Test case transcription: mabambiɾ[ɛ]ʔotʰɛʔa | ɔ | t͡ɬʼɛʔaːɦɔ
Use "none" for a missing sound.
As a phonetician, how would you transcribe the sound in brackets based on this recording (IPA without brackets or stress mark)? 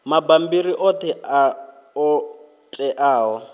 i